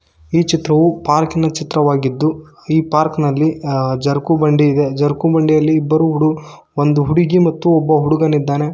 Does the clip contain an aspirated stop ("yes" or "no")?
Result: no